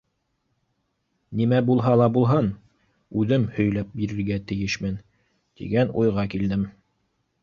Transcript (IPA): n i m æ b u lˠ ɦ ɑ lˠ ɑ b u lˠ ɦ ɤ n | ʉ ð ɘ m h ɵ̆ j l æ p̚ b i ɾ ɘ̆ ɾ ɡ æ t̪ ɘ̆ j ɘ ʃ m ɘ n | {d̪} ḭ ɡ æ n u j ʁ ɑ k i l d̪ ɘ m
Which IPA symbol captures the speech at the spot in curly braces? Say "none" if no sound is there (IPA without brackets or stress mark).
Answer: t̪